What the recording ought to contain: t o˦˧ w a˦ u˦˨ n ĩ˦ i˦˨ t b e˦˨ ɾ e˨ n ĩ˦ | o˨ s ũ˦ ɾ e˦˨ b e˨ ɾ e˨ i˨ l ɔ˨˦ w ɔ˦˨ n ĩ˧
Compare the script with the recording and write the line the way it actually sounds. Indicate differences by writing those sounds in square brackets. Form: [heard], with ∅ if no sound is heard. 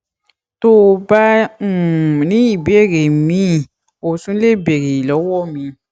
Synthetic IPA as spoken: t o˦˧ [b] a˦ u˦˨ n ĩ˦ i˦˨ [∅] b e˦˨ ɾ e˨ [m] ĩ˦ | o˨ s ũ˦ [l] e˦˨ b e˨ ɾ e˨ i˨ l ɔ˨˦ w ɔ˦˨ [m] ĩ˧